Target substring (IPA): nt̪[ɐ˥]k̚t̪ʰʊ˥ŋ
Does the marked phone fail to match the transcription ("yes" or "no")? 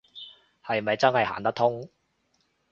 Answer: no